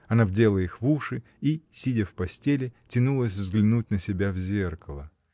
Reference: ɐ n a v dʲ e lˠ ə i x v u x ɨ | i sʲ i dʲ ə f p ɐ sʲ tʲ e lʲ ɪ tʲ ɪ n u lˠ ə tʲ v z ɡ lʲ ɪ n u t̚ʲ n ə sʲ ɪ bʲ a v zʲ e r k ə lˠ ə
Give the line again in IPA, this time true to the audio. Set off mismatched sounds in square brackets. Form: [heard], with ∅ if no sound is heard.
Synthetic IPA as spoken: ɐ n a v dʲ e lˠ ə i x v u [ʂ] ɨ | i sʲ i dʲ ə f p ɐ sʲ tʲ e lʲ ɪ tʲ ɪ n u lˠ ə [sʲ] v z ɡ lʲ ɪ n u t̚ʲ n ə sʲ ɪ bʲ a v zʲ e r k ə lˠ ə